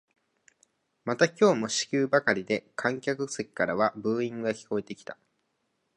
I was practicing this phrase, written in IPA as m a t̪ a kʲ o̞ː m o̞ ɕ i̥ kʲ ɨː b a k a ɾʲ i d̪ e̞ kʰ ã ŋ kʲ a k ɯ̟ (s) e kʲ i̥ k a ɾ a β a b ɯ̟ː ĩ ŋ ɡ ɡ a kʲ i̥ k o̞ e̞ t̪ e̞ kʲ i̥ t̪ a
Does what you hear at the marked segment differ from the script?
no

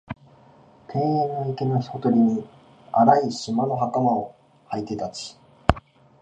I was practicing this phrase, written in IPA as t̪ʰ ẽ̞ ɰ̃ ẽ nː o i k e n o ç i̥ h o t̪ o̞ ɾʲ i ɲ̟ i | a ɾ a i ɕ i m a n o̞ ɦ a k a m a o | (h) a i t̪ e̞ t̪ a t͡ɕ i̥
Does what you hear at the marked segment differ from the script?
no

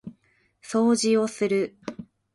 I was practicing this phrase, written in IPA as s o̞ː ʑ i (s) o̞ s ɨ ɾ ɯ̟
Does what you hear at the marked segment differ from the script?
yes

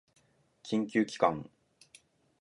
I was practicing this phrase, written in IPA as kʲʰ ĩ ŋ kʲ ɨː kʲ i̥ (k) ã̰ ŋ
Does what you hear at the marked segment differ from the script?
no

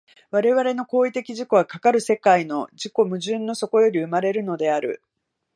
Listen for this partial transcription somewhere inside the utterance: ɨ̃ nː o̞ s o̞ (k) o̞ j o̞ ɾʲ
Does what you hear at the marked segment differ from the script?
no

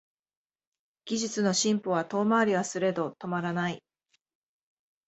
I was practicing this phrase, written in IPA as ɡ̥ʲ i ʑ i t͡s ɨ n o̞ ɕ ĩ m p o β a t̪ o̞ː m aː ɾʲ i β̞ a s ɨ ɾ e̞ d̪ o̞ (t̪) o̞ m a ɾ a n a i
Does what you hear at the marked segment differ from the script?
no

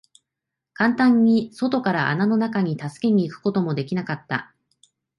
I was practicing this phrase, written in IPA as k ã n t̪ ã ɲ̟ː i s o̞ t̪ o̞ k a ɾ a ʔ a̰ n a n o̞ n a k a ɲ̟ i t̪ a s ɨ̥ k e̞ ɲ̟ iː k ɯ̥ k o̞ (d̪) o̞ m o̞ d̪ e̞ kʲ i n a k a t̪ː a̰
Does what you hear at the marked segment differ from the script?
yes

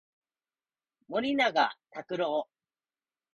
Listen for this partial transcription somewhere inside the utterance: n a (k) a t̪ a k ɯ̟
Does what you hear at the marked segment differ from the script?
yes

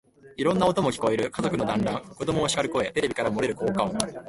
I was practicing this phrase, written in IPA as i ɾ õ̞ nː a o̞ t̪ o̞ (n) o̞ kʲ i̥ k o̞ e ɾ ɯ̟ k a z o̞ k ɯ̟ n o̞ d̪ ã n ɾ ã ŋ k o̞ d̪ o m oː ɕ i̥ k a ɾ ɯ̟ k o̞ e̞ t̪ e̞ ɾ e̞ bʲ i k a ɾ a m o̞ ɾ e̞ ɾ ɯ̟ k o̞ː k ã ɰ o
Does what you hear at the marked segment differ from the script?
yes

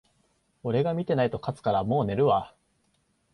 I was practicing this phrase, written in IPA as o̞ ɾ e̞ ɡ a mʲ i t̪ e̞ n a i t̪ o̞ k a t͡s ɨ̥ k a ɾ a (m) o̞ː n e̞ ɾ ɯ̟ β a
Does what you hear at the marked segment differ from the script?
no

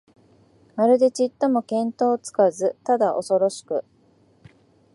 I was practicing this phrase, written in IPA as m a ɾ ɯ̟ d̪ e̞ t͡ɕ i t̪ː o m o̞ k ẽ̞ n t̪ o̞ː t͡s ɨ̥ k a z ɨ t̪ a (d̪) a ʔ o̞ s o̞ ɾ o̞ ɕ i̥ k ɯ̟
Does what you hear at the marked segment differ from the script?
no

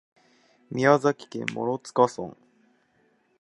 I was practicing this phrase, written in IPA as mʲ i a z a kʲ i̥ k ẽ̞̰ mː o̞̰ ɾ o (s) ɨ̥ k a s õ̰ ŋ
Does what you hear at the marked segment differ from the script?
yes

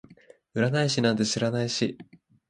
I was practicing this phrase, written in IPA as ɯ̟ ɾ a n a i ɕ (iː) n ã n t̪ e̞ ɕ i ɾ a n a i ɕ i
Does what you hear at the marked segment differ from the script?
yes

